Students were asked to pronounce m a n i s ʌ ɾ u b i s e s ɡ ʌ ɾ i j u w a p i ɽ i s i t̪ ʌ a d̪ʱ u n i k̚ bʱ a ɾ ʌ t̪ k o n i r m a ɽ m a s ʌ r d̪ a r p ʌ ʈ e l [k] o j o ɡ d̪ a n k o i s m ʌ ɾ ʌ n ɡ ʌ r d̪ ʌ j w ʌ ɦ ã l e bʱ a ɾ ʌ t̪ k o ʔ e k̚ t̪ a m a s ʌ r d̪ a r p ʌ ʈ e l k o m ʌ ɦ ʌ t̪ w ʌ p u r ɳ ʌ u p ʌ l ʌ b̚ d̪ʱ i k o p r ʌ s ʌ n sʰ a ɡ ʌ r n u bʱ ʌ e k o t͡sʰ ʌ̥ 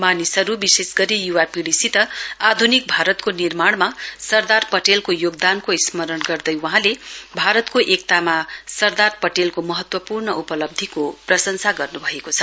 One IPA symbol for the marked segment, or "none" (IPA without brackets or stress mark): k